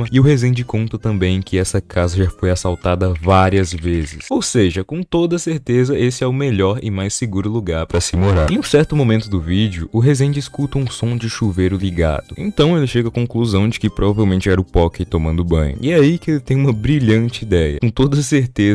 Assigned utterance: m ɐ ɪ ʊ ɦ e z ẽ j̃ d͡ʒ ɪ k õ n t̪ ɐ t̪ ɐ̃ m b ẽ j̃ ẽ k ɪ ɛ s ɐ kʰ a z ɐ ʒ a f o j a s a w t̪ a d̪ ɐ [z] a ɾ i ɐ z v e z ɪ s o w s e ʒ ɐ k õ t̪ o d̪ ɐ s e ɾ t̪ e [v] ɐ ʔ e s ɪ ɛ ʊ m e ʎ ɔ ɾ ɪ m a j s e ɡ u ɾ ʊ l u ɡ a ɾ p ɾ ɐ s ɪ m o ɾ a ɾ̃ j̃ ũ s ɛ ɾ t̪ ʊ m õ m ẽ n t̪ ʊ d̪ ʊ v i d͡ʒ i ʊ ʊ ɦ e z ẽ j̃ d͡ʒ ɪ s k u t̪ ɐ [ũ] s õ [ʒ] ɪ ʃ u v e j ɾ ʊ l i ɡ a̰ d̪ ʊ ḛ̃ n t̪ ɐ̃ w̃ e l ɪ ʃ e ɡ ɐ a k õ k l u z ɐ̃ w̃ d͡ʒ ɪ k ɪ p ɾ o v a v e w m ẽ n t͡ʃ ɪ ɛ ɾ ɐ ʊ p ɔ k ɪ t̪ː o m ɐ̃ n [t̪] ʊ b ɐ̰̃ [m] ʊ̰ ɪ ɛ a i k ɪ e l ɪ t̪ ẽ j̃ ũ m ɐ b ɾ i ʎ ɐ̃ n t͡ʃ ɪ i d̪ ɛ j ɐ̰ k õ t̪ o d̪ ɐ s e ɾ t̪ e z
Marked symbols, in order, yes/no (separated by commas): no, no, yes, no, no, no